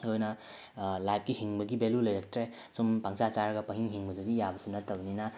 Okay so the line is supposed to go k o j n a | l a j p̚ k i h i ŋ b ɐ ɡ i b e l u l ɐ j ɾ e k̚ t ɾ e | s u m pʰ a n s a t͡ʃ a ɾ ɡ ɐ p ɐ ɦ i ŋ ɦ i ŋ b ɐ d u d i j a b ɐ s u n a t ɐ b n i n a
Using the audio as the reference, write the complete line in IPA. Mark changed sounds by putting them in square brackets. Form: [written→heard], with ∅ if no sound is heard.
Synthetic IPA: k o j n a | l a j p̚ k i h i ŋ b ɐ ɡ i b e l u l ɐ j ɾ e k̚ t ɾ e | s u m [pʰ→p] a [n→ŋ] s a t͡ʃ a ɾ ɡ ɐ p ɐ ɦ i ŋ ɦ i ŋ b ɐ d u d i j a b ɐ s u n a t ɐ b n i n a